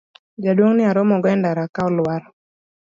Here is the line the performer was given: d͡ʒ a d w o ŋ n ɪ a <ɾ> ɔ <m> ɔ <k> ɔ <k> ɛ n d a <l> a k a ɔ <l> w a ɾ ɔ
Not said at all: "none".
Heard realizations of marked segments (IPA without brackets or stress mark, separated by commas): ɾ, m, ɡ, none, ɾ, l